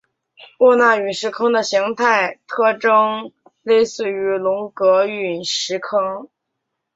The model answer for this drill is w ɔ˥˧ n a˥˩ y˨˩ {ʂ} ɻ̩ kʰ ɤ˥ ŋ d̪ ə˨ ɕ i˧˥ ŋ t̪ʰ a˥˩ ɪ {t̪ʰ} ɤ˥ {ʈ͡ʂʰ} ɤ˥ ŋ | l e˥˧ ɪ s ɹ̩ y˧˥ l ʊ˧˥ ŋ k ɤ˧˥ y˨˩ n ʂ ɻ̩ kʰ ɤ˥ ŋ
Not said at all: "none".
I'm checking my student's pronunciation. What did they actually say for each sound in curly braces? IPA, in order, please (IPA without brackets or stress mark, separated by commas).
ʂ, t̪ʰ, ʈ͡ʂ